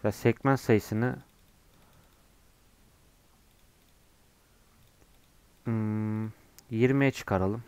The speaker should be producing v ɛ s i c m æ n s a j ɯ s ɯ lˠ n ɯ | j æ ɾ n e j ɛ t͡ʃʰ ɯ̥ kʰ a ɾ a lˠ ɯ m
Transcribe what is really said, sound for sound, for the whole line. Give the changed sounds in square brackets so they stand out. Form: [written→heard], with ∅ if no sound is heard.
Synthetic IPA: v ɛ s [i→ɛ] c m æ n s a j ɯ s ɯ [lˠ→∅] n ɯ | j [æ→i] ɾ [n→m] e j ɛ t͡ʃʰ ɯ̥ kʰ a ɾ a lˠ ɯ m